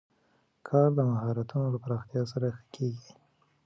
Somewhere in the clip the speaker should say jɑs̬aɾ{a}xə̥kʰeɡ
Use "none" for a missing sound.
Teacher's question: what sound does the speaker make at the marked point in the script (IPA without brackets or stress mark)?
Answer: a